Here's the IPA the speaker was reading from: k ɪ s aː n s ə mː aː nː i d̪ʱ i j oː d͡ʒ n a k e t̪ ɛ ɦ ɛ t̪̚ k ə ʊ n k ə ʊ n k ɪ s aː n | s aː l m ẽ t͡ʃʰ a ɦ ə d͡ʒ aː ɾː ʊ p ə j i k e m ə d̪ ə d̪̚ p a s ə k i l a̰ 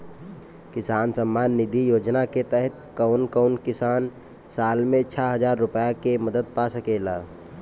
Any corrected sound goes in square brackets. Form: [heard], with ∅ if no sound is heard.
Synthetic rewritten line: k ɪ s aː n s ə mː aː nː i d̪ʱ i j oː d͡ʒ n a k e t̪ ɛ ɦ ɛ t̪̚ k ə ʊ n k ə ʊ n k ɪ s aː n | s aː l m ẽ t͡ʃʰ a ɦ ə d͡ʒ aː ɾː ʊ p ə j [a] k e m ə d̪ ə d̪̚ p a s ə k [e] l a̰